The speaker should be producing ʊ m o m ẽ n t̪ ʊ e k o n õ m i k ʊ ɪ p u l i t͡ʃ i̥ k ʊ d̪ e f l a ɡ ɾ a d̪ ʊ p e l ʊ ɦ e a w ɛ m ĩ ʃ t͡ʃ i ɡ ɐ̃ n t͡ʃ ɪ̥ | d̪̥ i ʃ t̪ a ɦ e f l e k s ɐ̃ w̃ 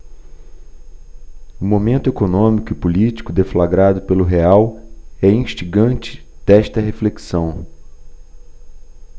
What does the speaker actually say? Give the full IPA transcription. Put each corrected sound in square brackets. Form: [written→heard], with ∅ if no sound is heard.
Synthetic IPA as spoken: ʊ m o m ẽ n t̪ ʊ e k o n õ m i k ʊ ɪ p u l i t͡ʃ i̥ k ʊ d̪ e f l a ɡ ɾ a d̪ ʊ p e l ʊ ɦ e a w ɛ [m→∅] ĩ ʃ t͡ʃ i ɡ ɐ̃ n t͡ʃ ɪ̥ | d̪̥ [i→ɛ] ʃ t̪ [a→ɐ] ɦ e f l e k s ɐ̃ w̃